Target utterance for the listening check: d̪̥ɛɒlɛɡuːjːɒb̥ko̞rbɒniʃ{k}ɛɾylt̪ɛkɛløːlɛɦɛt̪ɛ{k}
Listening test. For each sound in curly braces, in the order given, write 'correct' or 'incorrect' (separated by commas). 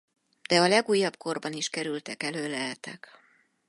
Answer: correct, correct